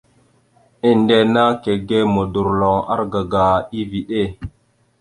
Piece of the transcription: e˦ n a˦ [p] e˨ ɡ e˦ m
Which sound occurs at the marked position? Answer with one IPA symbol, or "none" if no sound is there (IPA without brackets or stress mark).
k